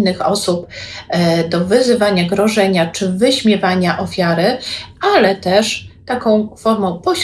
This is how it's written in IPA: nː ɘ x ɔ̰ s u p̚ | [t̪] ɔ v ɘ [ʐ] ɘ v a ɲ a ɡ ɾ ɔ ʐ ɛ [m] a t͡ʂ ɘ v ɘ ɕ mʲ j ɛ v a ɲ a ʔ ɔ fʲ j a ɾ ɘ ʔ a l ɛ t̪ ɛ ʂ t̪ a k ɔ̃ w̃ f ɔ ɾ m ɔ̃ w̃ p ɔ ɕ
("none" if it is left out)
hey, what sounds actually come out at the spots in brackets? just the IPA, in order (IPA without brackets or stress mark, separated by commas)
d̪, z, ɲ